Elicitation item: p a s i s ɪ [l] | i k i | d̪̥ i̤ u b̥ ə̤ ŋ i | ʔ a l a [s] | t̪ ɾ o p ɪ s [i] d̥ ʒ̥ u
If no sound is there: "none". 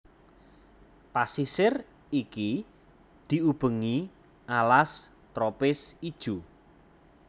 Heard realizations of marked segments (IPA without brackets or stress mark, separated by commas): r, s, i